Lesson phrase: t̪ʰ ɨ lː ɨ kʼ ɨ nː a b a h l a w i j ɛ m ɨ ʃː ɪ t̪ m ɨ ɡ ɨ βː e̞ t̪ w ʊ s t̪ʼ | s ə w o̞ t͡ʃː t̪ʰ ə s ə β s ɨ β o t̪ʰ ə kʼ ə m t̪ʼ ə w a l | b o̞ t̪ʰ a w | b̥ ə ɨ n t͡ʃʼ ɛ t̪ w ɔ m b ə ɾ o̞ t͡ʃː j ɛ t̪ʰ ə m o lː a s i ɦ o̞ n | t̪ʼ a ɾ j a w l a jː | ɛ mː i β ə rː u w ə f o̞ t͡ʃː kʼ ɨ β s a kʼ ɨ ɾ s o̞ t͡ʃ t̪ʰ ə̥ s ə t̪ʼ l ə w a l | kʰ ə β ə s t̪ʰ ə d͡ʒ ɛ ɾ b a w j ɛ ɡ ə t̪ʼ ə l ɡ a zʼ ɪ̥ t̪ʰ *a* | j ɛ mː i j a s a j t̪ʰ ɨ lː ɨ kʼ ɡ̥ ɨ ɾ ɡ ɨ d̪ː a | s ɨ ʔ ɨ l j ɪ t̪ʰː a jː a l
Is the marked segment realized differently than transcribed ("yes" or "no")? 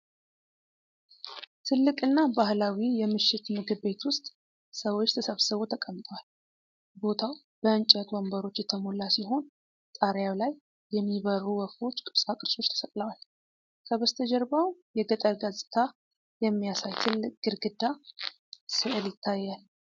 no